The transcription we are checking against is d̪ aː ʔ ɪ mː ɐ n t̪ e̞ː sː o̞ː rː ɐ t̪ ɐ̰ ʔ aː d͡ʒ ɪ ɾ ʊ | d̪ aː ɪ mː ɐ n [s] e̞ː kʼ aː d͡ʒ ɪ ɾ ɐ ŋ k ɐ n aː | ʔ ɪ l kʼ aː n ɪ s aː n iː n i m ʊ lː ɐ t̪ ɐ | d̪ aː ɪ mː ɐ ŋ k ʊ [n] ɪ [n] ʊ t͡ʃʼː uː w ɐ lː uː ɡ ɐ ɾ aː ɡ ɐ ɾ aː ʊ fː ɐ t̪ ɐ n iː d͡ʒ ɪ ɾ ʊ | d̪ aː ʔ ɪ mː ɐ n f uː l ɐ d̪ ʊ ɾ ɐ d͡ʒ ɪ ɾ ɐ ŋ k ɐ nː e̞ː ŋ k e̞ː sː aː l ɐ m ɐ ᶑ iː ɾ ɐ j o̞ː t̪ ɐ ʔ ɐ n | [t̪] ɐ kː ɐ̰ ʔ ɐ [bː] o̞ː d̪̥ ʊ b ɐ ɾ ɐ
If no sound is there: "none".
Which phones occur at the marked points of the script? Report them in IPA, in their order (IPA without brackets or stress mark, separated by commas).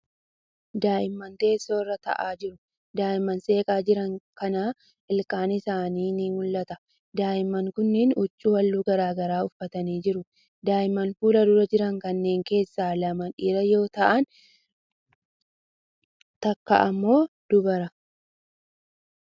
s, nː, n, t̪, mː